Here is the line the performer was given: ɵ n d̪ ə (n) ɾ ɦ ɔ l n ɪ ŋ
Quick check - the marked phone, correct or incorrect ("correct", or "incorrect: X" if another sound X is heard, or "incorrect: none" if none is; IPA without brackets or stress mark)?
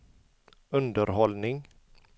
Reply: incorrect: none